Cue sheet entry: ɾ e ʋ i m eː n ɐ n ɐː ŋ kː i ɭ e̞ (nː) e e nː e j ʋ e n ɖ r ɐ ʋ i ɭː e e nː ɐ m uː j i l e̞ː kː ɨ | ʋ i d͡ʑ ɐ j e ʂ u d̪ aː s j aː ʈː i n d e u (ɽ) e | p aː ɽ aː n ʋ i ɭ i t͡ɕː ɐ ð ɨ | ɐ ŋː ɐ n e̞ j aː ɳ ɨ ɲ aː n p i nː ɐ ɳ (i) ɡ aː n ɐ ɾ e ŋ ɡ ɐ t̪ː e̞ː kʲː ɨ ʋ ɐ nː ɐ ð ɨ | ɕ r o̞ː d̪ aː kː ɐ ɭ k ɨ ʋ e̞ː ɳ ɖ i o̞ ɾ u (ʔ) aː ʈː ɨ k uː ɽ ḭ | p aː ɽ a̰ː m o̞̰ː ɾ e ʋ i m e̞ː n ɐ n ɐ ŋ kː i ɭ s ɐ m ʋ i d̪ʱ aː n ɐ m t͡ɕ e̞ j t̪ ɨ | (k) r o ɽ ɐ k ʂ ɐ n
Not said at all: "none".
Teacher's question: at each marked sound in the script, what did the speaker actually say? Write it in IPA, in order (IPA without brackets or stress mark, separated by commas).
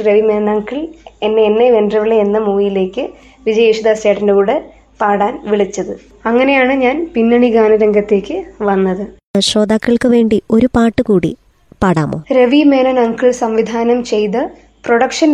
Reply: nː, ɽ, i, p, p